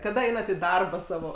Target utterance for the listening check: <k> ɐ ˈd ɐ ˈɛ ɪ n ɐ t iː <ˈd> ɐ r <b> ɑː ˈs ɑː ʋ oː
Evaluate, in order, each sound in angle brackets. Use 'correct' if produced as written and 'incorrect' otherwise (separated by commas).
correct, correct, correct